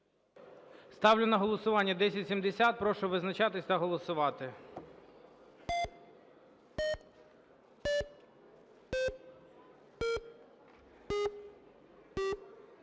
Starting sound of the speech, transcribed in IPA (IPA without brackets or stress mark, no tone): s